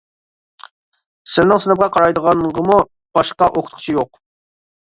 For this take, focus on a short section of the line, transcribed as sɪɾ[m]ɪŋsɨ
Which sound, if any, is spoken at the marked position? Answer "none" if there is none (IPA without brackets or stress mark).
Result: n